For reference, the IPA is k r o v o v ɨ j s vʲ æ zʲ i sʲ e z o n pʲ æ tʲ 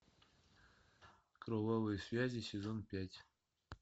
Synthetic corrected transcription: k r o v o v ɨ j s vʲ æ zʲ i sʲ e z o n pʲ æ tʲ